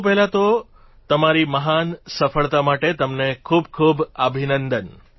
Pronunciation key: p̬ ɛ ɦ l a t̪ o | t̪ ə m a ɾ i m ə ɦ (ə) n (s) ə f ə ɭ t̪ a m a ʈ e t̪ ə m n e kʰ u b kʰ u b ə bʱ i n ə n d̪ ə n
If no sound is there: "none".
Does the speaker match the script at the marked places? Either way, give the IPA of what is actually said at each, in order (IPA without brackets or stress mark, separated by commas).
a, s